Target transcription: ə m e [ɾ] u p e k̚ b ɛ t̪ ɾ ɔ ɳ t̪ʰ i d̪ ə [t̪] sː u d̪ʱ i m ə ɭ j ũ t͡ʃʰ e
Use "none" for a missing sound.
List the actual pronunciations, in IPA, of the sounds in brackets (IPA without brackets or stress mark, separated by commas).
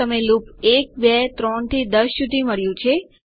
l, none